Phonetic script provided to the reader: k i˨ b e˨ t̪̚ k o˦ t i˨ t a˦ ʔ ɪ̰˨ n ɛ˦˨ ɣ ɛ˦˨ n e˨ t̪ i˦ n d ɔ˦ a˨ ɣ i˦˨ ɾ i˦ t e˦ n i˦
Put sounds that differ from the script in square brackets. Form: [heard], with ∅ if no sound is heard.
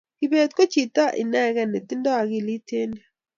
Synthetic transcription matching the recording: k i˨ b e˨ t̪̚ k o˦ [t͡ʃ] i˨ t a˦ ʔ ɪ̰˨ n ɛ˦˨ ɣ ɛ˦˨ n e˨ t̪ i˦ n d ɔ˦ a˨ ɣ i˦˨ [l] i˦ t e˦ n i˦